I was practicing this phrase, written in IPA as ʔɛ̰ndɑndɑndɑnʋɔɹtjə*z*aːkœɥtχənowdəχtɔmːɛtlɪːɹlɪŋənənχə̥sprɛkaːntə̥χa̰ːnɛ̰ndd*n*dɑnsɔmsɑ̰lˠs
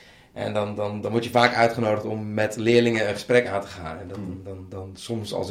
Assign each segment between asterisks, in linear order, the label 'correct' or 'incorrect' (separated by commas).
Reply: incorrect, correct